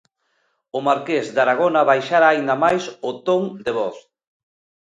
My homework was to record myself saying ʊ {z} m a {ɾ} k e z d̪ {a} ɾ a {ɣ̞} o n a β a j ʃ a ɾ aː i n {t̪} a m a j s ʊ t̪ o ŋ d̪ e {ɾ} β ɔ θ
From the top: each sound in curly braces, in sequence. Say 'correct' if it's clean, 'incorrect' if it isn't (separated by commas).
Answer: incorrect, correct, correct, correct, incorrect, incorrect